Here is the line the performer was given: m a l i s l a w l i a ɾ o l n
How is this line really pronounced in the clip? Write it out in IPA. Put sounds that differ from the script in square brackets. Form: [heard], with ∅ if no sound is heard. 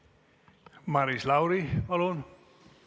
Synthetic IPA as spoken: m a [ɾ] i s l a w [ɾ] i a [l] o [∅] n